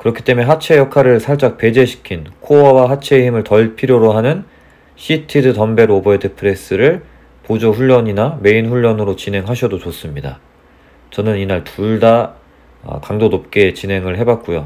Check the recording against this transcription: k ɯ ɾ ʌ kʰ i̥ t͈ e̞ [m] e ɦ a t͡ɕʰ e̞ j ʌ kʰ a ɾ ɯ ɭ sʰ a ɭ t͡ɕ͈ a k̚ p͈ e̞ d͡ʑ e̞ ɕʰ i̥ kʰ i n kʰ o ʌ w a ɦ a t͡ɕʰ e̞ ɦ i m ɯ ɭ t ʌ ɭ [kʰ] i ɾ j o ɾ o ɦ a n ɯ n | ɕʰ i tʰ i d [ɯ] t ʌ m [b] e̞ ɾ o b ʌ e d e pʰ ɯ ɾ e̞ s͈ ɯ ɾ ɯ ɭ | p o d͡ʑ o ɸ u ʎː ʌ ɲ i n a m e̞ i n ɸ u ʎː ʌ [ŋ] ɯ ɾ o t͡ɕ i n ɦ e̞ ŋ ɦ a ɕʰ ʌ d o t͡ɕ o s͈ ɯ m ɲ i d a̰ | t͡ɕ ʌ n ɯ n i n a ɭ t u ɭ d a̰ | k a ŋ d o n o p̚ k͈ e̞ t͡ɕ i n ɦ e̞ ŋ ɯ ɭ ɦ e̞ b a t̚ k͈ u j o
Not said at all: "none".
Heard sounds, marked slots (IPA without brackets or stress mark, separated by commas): m, pʰ, ɯ, b, n